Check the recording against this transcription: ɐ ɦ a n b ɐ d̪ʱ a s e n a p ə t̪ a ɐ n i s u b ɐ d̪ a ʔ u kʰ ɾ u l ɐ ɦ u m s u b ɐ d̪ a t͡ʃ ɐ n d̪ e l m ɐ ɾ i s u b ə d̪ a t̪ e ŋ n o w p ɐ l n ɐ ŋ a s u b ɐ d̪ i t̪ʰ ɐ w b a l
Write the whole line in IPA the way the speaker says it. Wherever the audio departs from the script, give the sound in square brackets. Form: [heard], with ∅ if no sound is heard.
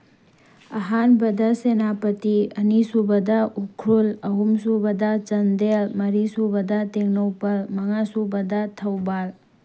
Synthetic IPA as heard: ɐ ɦ a n b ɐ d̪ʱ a s e n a p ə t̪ [i] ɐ n i s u b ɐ d̪ a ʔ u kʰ ɾ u l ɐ ɦ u m s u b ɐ d̪ a t͡ʃ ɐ n d̪ e l m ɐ ɾ i s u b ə d̪ a t̪ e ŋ n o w p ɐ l [m] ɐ ŋ a s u b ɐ d̪ [a] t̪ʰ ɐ w b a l